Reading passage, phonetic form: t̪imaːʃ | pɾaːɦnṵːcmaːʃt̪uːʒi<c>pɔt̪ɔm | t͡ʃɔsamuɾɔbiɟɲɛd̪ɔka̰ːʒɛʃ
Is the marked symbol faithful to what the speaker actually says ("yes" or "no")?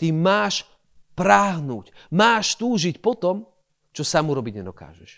yes